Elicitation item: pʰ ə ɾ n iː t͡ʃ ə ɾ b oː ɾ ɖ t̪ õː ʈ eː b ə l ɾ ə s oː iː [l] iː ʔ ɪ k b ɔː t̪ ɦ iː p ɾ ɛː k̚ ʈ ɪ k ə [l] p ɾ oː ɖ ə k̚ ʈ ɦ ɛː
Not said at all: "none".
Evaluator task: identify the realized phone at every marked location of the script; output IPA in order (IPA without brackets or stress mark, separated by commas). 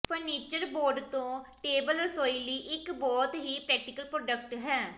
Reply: l, l